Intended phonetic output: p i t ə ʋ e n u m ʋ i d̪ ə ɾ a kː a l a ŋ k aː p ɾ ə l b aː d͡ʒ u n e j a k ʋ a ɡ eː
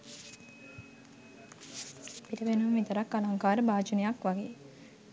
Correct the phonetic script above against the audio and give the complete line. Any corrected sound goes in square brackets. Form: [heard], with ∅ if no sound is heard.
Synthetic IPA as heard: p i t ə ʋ e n u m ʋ i [t̪] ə ɾ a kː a l a ŋ k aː [∅] ɾ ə [∅] b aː d͡ʒ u n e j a k ʋ a ɡ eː